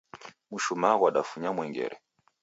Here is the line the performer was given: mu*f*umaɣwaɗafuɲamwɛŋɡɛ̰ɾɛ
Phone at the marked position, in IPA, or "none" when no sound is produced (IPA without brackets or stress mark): ʃ